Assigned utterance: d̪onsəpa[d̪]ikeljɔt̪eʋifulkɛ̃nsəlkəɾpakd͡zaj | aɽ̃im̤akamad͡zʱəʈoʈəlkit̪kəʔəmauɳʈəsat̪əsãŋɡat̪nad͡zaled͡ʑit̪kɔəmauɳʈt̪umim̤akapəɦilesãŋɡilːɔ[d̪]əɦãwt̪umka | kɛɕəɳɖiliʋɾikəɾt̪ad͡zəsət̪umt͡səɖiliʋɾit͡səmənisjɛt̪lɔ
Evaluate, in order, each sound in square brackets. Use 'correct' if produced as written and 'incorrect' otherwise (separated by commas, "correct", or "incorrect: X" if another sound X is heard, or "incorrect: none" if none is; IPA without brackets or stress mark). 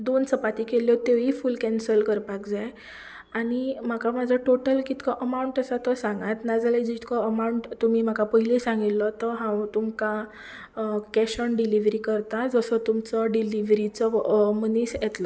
incorrect: t̪, incorrect: t̪